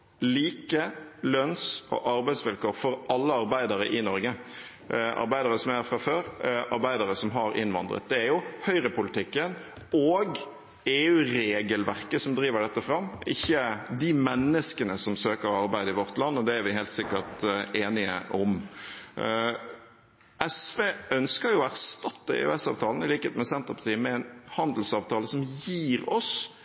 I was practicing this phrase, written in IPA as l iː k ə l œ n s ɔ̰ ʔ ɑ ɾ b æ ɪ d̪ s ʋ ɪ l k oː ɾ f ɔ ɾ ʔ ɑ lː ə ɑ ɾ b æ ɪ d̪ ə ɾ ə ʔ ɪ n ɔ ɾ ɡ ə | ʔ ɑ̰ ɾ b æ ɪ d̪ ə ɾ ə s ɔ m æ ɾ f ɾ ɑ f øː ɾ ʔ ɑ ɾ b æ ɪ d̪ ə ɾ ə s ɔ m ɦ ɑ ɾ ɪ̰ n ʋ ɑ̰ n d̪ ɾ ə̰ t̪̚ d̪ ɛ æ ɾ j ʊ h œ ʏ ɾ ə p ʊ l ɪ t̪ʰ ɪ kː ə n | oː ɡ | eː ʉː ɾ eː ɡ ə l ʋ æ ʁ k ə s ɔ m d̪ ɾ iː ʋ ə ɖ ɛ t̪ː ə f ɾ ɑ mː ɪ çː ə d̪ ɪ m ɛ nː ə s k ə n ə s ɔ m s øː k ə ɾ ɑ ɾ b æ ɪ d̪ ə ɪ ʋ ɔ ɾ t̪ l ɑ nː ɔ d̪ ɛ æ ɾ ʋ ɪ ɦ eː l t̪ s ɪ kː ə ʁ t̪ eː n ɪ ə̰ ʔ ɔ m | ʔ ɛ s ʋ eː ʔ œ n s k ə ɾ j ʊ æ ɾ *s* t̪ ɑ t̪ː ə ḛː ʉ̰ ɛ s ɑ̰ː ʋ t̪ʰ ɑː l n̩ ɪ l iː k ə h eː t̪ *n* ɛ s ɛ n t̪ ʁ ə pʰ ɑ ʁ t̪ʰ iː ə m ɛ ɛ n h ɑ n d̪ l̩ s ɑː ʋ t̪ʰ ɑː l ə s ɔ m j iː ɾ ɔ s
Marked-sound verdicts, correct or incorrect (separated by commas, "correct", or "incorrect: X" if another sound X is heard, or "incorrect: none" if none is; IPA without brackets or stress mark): correct, incorrect: m